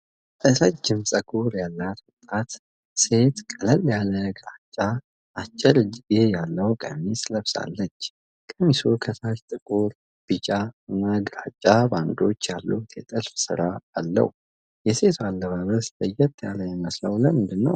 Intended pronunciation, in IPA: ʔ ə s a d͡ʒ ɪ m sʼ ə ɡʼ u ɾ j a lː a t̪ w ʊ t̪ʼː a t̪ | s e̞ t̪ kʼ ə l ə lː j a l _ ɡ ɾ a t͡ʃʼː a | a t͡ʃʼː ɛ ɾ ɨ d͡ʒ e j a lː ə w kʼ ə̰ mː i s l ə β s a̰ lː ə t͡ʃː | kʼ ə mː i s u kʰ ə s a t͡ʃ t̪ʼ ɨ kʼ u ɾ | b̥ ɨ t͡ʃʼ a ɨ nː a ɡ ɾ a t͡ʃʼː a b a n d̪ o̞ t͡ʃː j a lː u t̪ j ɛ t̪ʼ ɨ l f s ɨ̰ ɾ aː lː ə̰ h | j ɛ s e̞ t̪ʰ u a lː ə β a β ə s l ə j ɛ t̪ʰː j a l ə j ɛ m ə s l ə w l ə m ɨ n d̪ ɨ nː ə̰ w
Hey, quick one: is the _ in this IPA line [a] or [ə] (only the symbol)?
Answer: ə